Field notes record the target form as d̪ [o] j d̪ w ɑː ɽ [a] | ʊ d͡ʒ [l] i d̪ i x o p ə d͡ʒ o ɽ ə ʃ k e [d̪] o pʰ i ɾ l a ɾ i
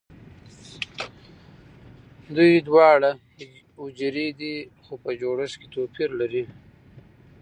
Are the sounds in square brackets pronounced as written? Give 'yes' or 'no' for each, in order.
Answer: no, yes, no, no

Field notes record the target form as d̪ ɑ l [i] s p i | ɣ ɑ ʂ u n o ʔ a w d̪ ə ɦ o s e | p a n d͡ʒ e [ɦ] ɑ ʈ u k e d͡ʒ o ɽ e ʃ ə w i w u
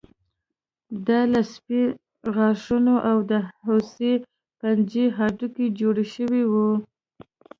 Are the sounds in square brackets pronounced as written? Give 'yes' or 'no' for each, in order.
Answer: no, yes

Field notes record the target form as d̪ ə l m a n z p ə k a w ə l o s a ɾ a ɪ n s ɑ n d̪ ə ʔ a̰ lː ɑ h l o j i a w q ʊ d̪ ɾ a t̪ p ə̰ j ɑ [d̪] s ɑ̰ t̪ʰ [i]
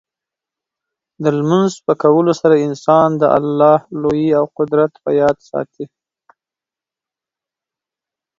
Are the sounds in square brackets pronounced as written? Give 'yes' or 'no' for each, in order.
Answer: yes, yes

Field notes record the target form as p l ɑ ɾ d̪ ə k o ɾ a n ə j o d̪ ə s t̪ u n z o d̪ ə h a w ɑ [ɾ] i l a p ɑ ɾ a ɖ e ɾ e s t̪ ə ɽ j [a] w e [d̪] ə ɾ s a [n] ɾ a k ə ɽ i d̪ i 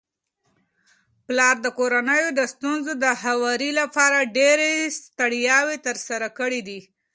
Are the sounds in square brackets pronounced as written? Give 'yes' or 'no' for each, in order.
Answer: yes, no, no, no

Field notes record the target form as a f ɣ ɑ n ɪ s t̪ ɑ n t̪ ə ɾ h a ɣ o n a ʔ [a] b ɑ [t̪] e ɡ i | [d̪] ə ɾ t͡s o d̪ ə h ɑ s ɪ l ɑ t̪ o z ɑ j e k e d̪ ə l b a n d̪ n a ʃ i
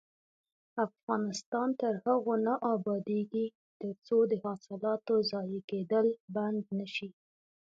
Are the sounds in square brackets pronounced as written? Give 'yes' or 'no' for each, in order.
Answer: no, no, no

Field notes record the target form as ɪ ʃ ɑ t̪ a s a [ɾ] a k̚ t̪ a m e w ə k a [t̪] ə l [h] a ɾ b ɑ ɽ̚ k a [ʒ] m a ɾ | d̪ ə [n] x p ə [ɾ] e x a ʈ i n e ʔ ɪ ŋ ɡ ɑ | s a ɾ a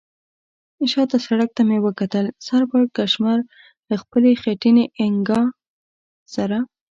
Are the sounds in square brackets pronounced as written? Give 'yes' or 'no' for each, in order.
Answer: no, yes, no, no, no, no

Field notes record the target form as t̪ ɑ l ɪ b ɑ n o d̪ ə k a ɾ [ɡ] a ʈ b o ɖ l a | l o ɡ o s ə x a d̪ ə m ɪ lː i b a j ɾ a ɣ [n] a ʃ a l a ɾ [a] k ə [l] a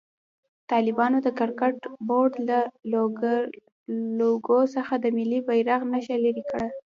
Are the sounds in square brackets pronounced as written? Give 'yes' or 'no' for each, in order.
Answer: no, yes, no, no

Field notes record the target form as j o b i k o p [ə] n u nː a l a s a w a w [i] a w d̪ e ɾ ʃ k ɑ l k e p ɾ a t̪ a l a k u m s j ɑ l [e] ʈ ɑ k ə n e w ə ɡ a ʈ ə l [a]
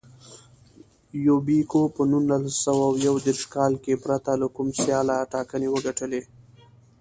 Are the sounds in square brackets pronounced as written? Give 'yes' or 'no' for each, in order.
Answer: yes, no, no, no

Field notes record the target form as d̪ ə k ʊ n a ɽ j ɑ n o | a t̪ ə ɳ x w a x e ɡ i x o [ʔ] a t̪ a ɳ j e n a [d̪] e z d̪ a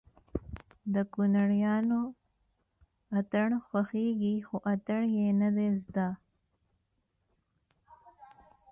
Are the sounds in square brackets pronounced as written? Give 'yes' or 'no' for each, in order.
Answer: yes, yes

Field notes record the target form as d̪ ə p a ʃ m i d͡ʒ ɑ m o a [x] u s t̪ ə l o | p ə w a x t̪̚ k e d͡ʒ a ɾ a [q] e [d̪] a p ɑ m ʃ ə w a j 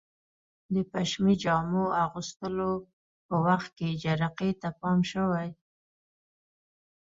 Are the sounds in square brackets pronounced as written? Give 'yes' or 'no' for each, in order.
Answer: no, yes, no

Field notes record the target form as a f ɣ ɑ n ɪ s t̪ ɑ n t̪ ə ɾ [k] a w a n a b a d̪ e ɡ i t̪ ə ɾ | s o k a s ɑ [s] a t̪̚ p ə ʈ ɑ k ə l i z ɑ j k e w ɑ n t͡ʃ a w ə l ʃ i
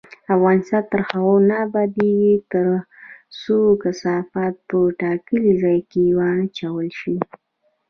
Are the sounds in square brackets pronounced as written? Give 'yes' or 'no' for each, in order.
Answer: no, no

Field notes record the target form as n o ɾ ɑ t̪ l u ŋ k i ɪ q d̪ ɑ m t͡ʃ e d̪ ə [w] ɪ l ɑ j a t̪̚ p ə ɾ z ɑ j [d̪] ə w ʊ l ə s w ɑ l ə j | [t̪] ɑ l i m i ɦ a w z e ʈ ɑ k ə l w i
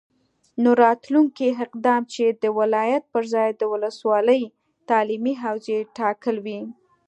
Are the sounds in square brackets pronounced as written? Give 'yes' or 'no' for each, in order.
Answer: yes, yes, yes

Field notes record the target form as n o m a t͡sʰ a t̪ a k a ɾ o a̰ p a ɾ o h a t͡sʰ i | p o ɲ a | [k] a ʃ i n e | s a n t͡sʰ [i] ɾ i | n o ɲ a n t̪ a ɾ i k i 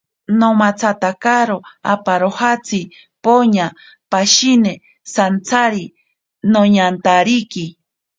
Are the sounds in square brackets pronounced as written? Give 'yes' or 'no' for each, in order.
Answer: no, no

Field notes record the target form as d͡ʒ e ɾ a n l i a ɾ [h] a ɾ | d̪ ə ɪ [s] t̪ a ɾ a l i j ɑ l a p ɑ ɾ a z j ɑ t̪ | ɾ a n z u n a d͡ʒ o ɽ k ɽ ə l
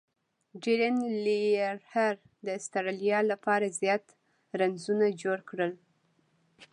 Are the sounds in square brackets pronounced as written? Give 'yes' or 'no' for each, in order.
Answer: yes, yes

